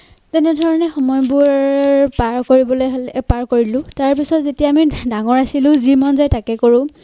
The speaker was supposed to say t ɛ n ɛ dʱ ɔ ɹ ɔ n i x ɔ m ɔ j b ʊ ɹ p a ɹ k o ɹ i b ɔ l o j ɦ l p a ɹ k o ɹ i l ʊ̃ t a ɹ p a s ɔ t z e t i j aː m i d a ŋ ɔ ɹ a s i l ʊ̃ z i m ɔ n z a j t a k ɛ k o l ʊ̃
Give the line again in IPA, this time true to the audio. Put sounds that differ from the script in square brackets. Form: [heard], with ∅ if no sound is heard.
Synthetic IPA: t ɛ n ɛ dʱ ɔ ɹ ɔ n [ɛ] x ɔ m ɔ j b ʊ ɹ p a ɹ k o ɹ i b ɔ l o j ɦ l p a ɹ k o ɹ i l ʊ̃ t a ɹ p [i] s ɔ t z e t i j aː m i d a ŋ ɔ ɹ a s i l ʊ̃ z i m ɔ n z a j t a k ɛ k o [ɹ] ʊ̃